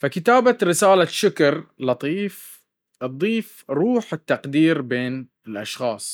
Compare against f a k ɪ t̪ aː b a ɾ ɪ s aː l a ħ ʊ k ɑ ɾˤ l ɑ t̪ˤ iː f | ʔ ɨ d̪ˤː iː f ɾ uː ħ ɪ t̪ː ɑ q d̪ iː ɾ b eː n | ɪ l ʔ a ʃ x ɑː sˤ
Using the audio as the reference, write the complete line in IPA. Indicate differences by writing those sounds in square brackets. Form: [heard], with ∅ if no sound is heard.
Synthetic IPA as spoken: f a k ɪ t̪ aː b a ɾ ɪ s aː l a [ʃ] ʊ k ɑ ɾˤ l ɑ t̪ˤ iː f | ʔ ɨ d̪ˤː iː f ɾ uː ħ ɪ t̪ː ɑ q d̪ iː ɾ b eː n | ɪ l ʔ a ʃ x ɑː sˤ